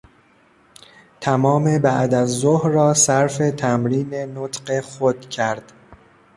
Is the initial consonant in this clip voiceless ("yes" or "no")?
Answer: yes